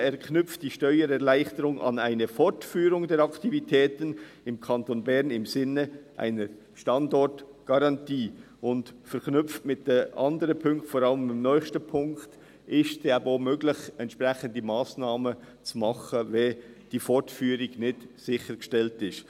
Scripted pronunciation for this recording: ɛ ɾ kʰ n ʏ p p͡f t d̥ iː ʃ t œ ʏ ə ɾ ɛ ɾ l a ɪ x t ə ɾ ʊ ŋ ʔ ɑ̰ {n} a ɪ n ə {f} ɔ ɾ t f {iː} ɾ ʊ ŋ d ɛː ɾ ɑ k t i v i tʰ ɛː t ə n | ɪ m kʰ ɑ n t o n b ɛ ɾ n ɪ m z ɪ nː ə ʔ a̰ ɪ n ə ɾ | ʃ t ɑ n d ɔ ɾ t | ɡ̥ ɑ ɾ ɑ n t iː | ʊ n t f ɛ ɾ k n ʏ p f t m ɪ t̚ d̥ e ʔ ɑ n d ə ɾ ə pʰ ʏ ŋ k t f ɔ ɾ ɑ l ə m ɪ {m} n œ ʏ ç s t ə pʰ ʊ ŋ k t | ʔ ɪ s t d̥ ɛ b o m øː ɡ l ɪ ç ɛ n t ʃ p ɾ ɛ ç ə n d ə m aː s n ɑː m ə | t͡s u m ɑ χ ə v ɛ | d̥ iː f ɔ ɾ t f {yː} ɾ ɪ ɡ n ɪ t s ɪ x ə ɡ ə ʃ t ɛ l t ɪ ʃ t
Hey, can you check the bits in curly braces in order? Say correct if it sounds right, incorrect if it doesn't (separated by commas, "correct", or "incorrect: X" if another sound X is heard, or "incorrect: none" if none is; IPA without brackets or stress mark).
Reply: correct, correct, incorrect: yː, correct, correct